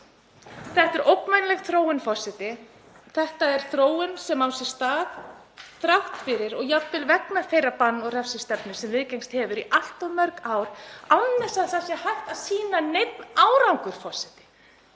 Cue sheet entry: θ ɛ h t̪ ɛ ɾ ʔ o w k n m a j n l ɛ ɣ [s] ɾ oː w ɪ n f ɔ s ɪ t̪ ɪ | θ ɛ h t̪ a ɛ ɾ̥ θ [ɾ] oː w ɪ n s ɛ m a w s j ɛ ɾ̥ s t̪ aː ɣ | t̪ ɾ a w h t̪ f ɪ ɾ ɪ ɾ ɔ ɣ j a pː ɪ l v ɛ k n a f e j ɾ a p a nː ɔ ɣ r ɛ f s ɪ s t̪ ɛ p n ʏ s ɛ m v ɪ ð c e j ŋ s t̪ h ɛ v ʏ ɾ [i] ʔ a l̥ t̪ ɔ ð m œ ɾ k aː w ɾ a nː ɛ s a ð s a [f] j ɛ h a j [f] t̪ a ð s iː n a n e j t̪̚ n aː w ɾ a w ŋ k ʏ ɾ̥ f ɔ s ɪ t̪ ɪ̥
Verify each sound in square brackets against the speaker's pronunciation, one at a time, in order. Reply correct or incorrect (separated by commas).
incorrect, correct, correct, incorrect, incorrect